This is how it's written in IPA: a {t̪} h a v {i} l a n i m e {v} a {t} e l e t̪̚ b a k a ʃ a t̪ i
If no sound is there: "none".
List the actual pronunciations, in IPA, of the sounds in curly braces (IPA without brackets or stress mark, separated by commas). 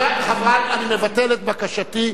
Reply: none, a, v, t